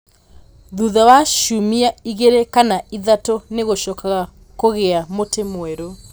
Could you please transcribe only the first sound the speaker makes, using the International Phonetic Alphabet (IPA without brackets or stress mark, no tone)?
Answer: ð